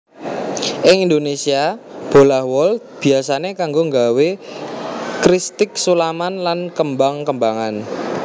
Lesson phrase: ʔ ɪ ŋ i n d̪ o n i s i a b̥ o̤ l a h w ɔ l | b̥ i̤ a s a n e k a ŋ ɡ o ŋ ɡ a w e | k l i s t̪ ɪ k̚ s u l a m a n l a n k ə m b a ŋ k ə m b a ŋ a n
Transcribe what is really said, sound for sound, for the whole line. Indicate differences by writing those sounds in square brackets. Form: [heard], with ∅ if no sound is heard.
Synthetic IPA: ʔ ɪ ŋ i n d̪ o n [e] s i a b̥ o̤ l a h w ɔ l | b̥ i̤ a s a n e k a ŋ ɡ o ŋ ɡ a w e | k [ɾ] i s t̪ ɪ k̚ s u l a m a n l a n k ə m b a ŋ k ə m b a ŋ a n